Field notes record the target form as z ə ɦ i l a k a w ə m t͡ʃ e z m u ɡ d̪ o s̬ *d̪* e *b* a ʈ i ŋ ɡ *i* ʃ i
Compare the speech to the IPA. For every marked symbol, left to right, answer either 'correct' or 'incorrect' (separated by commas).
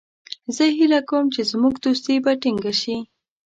incorrect, correct, incorrect